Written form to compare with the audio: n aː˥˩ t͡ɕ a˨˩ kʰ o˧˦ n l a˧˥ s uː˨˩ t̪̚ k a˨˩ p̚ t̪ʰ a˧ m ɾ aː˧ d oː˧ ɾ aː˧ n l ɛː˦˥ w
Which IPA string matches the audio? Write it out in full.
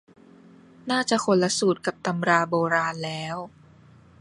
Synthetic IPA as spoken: n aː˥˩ t͡ɕ a˨˩ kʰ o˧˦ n l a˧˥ s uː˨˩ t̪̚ k a˨˩ p̚ t̪ a˧ m ɾ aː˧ b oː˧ ɾ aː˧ n l ɛː˦˥ w